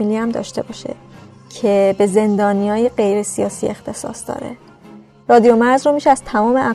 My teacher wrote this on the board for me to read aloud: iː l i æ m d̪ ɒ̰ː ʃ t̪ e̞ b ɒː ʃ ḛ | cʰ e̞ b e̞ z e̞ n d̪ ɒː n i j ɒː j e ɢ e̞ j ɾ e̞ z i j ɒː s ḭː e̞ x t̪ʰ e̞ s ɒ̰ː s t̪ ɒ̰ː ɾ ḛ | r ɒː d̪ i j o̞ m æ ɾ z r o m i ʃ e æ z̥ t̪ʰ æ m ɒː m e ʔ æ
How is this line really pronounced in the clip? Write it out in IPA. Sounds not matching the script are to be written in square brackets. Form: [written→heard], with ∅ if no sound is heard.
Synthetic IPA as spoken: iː l i æ m d̪ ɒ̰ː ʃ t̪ e̞ b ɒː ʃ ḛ | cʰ e̞ b e̞ z e̞ n d̪ ɒː n i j ɒː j e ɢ e̞ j ɾ e̞ [z→s] i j ɒː s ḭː e̞ x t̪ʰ e̞ s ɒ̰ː s [t̪→d̪] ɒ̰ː ɾ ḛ | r ɒː d̪ i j o̞ m æ ɾ z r o m i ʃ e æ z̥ t̪ʰ æ m ɒː m e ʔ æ